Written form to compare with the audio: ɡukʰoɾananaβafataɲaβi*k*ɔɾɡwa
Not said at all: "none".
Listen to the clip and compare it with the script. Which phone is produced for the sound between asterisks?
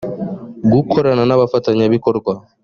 k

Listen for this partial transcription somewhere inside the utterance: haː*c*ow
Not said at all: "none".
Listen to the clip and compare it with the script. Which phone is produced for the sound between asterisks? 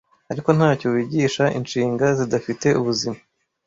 c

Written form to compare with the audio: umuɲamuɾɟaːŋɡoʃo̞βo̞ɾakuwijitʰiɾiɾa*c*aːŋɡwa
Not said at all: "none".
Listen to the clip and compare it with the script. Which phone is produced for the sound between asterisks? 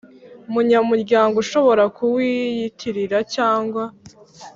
c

